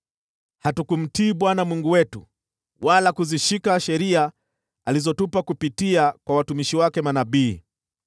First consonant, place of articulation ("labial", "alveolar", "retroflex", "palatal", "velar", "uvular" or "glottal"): glottal